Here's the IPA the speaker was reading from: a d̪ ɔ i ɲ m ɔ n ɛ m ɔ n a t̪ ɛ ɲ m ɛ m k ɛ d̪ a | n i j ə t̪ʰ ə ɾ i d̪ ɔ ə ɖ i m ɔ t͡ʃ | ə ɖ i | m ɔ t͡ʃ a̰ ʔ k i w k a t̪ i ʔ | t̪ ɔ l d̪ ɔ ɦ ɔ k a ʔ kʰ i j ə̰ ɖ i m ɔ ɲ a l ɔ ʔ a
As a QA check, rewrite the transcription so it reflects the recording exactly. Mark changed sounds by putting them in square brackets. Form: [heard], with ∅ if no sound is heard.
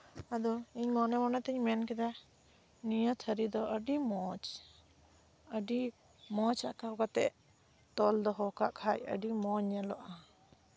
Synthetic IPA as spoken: a d̪ ɔ i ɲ m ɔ n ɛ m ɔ n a t̪ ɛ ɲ m ɛ [n] k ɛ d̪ a | n i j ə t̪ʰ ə ɾ i d̪ ɔ ə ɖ i m ɔ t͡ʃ | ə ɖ i | m ɔ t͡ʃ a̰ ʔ k [a] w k a t̪ [ɛ] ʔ | t̪ ɔ l d̪ ɔ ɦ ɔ k a ʔ kʰ [a] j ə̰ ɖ i m ɔ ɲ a l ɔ ʔ a